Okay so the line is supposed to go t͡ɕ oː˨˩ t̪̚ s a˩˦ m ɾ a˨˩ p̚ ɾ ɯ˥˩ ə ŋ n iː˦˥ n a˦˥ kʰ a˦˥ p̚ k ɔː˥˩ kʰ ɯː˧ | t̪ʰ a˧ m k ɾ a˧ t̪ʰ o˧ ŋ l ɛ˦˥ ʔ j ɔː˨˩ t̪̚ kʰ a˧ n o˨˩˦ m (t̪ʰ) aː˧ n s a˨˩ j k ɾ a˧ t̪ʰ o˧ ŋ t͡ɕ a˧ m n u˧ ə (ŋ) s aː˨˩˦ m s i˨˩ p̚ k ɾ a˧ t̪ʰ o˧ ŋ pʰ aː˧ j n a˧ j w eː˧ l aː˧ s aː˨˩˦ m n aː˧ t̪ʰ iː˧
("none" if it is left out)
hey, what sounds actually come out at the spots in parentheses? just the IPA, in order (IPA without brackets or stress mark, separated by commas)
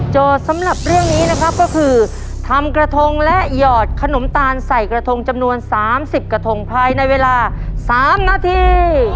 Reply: t̪, n